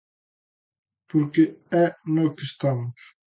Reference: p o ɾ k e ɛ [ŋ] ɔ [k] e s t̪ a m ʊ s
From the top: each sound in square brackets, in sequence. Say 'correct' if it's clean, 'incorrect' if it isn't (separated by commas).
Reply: incorrect, correct